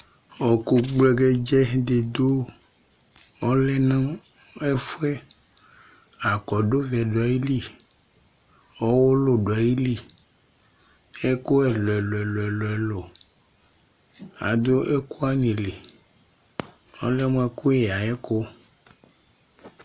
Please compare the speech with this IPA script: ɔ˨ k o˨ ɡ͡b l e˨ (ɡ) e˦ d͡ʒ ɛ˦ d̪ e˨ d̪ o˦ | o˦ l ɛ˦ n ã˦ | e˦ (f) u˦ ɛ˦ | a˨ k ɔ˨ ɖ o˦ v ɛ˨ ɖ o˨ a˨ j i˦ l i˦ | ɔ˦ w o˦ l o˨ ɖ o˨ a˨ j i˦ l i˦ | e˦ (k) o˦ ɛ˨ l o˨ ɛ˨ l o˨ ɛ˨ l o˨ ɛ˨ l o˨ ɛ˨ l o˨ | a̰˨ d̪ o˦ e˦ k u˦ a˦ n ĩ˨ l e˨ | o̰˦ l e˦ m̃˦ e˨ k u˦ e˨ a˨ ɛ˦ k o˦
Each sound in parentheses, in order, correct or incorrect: correct, correct, correct

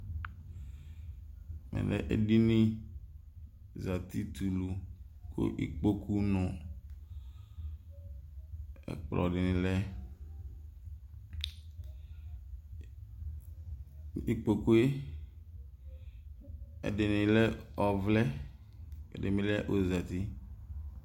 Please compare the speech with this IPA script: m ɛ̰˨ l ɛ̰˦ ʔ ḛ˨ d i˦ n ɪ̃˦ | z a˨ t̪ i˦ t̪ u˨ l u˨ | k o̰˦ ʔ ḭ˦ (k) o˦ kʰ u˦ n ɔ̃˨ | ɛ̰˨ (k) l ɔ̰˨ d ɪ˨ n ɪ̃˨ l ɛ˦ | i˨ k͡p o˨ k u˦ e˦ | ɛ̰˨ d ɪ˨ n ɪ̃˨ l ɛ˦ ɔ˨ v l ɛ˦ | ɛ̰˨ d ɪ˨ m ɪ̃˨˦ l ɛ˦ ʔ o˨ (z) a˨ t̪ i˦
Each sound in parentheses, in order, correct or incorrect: incorrect: k͡p, incorrect: k͡p, correct

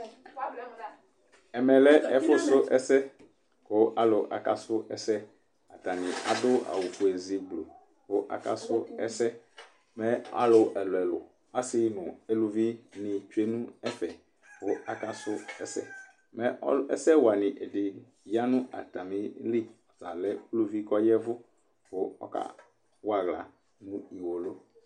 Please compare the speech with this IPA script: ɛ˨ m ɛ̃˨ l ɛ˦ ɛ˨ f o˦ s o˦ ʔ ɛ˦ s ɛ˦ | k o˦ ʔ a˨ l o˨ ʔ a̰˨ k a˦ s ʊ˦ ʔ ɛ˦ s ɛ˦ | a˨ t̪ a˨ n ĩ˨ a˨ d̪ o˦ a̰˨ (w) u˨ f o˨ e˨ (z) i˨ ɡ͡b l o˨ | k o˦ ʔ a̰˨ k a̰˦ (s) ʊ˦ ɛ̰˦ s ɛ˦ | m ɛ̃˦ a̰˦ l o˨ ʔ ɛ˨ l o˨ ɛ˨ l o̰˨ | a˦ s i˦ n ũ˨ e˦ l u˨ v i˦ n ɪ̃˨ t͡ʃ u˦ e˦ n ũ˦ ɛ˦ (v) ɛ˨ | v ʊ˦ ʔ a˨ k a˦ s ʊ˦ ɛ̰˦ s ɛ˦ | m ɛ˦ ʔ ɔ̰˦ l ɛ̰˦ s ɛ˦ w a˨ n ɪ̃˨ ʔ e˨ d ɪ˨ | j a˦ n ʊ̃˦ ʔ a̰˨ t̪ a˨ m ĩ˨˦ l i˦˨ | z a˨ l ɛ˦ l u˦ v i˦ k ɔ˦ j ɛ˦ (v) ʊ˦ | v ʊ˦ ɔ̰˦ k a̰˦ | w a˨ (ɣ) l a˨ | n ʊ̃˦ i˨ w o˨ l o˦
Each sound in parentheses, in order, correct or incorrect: correct, correct, correct, incorrect: f, correct, correct

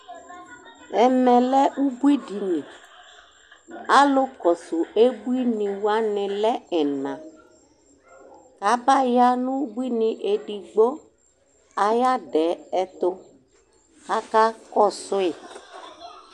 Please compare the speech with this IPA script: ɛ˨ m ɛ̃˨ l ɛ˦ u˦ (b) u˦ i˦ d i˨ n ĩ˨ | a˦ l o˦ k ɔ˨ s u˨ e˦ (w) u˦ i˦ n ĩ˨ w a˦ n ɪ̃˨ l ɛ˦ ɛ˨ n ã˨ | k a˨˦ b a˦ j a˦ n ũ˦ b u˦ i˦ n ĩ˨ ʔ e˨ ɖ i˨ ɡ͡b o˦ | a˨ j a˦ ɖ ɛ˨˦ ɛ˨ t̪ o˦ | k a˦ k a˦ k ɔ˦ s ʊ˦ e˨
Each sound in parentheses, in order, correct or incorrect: correct, incorrect: b

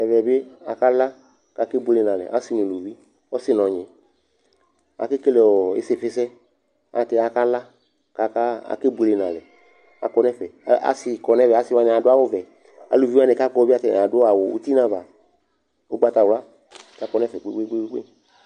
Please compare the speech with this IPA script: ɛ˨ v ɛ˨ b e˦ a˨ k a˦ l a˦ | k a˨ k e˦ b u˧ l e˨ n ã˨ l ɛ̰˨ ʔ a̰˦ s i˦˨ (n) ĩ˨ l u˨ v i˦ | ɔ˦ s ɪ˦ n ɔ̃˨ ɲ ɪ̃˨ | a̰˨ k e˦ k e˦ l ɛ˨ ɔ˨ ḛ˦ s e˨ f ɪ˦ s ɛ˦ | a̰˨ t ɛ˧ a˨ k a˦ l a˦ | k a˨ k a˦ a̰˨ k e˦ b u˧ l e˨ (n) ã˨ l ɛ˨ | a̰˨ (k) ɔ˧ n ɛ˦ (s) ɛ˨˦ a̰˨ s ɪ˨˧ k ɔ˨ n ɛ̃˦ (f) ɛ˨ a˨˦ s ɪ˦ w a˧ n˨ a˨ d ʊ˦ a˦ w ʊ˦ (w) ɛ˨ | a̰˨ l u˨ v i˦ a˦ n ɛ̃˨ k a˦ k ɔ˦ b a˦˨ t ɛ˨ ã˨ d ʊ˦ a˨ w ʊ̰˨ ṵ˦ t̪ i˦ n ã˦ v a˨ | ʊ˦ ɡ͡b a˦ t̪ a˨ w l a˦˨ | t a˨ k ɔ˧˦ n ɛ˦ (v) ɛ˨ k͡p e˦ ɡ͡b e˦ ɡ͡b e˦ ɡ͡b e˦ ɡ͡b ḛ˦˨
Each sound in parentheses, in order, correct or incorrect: correct, correct, correct, incorrect: f, incorrect: v, incorrect: v, incorrect: f

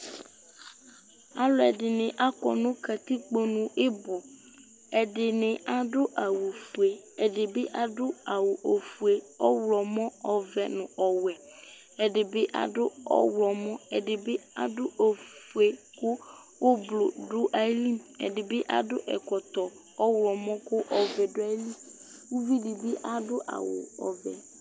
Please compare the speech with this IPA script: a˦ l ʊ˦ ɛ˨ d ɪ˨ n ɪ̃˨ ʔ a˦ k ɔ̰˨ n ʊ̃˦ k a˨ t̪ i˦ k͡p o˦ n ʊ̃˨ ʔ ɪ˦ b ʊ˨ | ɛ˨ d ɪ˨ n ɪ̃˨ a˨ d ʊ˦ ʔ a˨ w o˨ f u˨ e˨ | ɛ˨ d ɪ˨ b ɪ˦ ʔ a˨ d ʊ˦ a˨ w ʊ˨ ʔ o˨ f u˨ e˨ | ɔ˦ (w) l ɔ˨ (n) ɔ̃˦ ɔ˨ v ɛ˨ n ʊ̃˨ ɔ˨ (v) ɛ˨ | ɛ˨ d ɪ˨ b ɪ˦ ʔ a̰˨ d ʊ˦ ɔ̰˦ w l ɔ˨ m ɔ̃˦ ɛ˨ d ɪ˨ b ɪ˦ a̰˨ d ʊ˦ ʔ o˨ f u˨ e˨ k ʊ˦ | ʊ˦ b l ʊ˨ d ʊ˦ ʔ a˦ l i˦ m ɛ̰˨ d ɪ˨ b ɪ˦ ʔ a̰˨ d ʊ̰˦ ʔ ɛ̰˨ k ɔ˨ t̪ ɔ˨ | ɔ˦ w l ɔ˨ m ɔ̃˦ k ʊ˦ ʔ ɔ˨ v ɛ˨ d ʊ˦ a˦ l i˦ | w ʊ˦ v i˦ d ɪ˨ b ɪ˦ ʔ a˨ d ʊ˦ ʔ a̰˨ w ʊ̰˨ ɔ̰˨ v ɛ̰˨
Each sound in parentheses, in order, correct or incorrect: correct, incorrect: m, incorrect: w

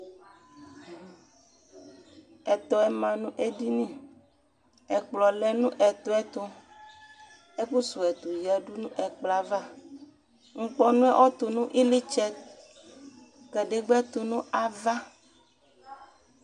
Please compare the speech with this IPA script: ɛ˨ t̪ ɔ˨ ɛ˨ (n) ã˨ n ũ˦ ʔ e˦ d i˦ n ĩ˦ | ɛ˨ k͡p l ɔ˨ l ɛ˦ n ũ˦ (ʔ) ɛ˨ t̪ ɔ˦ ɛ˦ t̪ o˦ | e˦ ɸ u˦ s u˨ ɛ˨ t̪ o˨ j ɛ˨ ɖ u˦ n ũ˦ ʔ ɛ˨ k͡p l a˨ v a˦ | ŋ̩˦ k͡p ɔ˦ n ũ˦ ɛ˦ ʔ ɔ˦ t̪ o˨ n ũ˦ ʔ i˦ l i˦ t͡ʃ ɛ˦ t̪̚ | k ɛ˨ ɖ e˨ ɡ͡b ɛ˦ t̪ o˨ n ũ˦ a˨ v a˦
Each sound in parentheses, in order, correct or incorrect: incorrect: m, correct

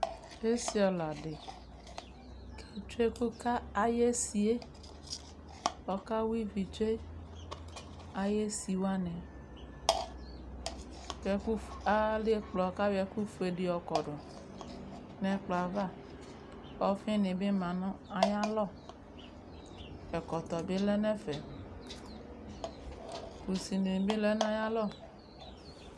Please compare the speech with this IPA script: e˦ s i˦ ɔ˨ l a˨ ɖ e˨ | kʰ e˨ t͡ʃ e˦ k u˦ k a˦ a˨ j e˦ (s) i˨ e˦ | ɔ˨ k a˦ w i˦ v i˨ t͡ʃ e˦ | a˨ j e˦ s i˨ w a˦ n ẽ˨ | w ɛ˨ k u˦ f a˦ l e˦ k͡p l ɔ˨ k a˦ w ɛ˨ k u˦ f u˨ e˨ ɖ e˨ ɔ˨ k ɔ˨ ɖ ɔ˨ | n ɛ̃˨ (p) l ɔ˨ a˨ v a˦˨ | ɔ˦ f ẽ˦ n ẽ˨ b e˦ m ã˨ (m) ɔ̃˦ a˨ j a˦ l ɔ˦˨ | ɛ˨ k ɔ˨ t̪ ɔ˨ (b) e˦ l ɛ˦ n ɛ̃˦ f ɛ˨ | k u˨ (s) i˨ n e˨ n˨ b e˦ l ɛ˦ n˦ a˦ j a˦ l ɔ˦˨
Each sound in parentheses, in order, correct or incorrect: correct, incorrect: k͡p, incorrect: n, correct, correct

